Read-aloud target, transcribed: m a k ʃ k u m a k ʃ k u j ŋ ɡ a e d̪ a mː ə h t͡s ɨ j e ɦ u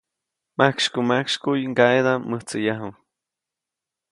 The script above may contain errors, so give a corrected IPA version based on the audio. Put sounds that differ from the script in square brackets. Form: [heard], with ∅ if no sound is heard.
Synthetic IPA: m a k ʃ k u m a k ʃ k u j ŋ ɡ a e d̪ a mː ə h t͡s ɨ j [a] ɦ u